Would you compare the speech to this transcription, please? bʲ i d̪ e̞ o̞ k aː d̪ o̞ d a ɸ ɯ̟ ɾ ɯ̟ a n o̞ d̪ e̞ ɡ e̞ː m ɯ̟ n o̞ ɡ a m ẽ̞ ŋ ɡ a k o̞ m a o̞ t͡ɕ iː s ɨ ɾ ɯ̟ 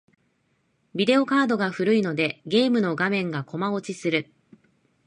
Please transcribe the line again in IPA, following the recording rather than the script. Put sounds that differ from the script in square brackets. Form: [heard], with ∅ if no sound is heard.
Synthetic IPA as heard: bʲ i d̪ e̞ o̞ k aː d̪ o̞ [ɡ] a ɸ ɯ̟ ɾ ɯ̟ [i] n o̞ d̪ e̞ ɡ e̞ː m ɯ̟ n o̞ ɡ a m ẽ̞ ŋ ɡ a k o̞ m a o̞ t͡ɕ [i] s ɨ ɾ ɯ̟